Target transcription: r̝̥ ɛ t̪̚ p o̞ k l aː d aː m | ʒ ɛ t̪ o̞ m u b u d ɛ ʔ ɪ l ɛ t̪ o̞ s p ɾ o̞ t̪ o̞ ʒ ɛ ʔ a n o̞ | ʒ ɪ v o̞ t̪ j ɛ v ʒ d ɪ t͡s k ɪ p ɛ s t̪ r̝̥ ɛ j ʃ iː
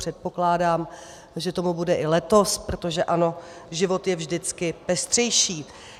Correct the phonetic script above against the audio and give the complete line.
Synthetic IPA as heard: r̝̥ ɛ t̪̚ p o̞ k l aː d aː m | ʒ ɛ t̪ o̞ m u b u d ɛ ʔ ɪ l ɛ t̪ o̞ s p ɾ o̞ t̪ o̞ ʒ ɛ ʔ a n o̞ | ʒ ɪ v o̞ t̪ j ɛ v ʒ d ɪ t͡s k ɪ p ɛ s t̪ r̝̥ ɛ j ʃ iː